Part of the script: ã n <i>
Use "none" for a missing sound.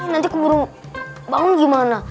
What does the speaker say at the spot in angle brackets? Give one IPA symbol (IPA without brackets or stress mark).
a